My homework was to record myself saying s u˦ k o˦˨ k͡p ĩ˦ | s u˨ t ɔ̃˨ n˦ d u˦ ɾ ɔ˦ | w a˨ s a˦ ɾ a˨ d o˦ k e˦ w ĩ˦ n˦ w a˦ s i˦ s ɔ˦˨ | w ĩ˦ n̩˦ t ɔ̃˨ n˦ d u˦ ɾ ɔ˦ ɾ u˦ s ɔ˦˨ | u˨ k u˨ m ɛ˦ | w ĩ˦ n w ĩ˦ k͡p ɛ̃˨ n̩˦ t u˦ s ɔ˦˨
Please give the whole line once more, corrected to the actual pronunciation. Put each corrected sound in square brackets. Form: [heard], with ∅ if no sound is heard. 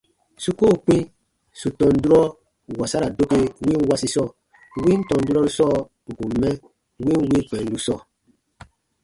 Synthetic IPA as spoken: s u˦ k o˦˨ k͡p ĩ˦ | s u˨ t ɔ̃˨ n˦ d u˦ ɾ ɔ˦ | w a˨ s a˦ ɾ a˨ d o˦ k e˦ w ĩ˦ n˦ w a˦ s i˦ s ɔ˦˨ | w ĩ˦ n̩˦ t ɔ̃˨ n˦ d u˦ ɾ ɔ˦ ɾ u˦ s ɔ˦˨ | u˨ k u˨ m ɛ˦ | w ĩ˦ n w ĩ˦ k͡p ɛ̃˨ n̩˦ [d] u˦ s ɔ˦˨